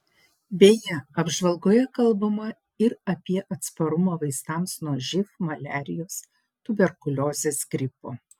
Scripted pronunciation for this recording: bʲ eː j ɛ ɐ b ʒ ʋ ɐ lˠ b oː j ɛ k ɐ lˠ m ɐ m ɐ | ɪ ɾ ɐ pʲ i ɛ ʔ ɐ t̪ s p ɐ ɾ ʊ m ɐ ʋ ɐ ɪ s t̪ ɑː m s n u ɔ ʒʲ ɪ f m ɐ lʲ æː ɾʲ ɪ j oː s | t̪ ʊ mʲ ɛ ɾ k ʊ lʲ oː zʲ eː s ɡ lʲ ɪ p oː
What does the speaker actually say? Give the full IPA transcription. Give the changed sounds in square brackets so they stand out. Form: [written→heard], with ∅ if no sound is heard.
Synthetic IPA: bʲ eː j ɛ ɐ b ʒ ʋ ɐ lˠ [b→ɡ] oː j ɛ k ɐ lˠ [m→b] ɐ m ɐ | ɪ ɾ ɐ pʲ i ɛ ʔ ɐ t̪ s p ɐ ɾ ʊ m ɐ ʋ ɐ ɪ s t̪ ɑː m s n u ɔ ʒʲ ɪ f m ɐ lʲ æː ɾʲ ɪ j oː s | t̪ ʊ [mʲ→bʲ] ɛ ɾ k ʊ lʲ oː zʲ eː s ɡ [lʲ→ɾʲ] ɪ p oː